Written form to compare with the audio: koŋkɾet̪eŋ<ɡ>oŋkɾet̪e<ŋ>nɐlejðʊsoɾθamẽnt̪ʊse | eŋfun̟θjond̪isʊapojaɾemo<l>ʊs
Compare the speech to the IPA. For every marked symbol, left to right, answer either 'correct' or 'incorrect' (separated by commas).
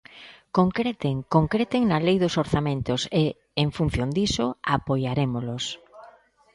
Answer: incorrect, correct, correct